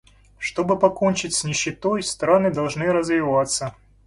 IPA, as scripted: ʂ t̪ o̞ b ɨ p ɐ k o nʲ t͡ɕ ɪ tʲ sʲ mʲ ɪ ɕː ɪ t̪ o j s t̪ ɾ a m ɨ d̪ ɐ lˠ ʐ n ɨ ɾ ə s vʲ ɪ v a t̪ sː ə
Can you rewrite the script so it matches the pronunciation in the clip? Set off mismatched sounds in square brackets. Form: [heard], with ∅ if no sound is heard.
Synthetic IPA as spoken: ʂ t̪ o̞ b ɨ p ɐ k o nʲ t͡ɕ ɪ tʲ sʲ [nʲ] ɪ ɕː ɪ t̪ o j s t̪ ɾ a [n] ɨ d̪ ɐ lˠ ʐ n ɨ ɾ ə [z] vʲ ɪ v a t̪ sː ə